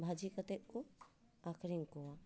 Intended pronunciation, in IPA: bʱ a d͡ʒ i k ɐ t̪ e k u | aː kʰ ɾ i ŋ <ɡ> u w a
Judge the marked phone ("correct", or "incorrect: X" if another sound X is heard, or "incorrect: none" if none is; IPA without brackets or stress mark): incorrect: k